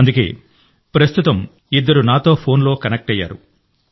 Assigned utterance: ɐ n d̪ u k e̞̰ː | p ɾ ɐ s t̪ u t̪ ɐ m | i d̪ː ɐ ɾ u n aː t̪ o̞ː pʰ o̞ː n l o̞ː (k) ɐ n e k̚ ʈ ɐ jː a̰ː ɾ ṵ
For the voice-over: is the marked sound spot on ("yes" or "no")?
yes